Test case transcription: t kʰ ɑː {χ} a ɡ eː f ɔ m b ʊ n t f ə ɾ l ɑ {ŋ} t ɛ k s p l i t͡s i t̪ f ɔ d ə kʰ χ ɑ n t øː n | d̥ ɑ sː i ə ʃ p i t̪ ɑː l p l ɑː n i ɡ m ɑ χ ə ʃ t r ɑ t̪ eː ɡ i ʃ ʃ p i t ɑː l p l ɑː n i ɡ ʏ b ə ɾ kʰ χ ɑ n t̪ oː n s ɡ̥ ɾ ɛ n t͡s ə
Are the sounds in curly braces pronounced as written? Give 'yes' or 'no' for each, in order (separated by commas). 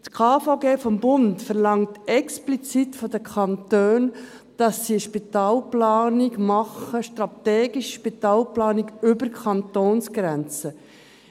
no, yes